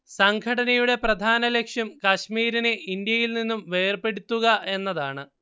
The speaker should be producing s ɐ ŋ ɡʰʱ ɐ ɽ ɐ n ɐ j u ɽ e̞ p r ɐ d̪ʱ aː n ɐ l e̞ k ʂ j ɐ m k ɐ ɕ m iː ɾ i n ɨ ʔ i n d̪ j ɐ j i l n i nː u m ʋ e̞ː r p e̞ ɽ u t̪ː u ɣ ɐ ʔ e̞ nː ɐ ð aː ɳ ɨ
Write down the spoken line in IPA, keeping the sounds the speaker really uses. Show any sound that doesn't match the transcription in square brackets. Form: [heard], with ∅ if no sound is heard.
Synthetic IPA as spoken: s ɐ ŋ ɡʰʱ ɐ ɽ ɐ n ɐ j u ɽ e̞ p r ɐ d̪ʱ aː n ɐ l e̞ k ʂ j ɐ m k ɐ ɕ m iː ɾ i n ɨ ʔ i n d̪ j ɐ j i l n i nː u m ʋ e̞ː r p e̞ ɽ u t̪ː u ɣ ɐ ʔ e̞ nː ɐ ð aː ɳ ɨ